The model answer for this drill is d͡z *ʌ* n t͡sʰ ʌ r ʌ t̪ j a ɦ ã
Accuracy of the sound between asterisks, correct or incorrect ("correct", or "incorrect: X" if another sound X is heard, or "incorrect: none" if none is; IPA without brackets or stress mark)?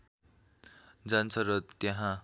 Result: incorrect: a